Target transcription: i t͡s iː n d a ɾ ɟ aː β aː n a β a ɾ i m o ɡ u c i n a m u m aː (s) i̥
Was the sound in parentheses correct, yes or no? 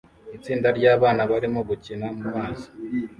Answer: no